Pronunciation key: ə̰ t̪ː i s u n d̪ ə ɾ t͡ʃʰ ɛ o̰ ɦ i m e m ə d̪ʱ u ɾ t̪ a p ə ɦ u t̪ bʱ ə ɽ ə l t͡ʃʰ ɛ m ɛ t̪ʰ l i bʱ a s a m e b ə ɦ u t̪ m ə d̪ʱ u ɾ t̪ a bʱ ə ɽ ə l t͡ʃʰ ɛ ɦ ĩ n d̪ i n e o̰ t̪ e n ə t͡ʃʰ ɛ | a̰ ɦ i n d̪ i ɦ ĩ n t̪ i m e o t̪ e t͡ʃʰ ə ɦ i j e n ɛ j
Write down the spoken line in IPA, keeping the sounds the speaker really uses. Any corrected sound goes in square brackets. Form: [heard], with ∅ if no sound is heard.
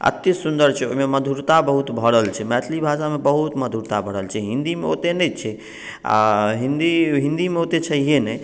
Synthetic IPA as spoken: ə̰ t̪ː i s u n d̪ ə ɾ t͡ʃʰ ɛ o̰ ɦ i m e m ə d̪ʱ u ɾ t̪ a [b] ə ɦ u t̪ bʱ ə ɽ ə l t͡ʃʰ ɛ m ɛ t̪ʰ l i bʱ a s a m e b ə ɦ u t̪ m ə d̪ʱ u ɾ t̪ a bʱ ə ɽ ə l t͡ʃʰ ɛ ɦ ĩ n d̪ i [m] e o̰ t̪ e n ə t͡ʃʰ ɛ | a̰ ɦ i n d̪ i ɦ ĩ n [d̪] i m e o t̪ e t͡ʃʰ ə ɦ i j e n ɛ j